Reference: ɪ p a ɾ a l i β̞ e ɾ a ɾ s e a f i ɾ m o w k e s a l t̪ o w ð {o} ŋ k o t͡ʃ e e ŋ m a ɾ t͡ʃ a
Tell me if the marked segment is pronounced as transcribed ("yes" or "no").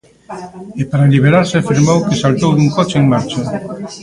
no